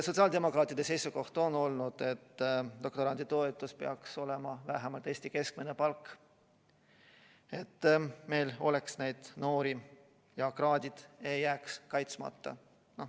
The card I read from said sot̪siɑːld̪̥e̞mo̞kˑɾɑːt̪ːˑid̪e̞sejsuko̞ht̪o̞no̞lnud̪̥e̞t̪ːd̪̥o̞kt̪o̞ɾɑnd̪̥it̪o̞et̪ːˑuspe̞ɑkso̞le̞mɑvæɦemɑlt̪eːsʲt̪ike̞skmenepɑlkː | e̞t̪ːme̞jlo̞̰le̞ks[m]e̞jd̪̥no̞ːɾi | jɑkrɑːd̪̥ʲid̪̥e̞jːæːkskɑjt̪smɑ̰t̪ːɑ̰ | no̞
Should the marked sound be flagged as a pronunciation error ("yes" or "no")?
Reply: yes